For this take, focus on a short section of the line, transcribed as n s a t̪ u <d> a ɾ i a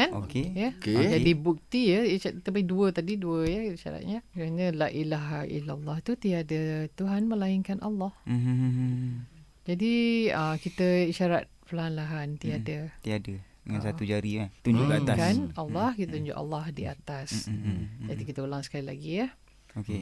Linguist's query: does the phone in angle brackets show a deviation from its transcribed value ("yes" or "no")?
yes